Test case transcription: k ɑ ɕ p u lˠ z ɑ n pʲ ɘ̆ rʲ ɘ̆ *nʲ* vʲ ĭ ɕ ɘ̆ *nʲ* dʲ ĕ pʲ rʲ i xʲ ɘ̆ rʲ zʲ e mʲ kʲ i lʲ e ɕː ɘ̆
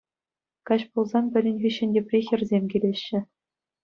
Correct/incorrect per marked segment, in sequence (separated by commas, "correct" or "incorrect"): correct, correct